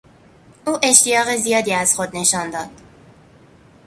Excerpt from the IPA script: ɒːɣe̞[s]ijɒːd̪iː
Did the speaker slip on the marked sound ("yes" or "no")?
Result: yes